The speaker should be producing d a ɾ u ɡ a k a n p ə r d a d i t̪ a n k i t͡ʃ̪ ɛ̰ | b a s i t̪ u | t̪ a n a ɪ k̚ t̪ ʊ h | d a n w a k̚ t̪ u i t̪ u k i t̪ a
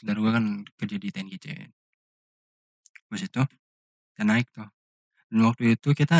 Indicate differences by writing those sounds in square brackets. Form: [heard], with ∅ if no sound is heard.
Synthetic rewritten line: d a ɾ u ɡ a k a n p ə r [d͡ʒ] a d i t̪ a n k i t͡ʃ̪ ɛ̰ | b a s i t̪ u | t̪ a n a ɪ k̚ t̪ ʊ h | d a n w a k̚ t̪ u i t̪ u k i t̪ a